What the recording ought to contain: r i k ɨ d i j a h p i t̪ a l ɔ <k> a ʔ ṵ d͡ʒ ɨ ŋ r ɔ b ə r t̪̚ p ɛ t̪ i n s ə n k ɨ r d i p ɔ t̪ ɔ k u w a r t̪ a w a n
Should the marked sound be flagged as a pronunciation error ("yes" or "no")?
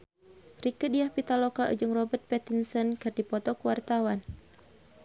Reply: no